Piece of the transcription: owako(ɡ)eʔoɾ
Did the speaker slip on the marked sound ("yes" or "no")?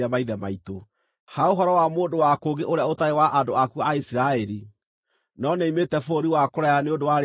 no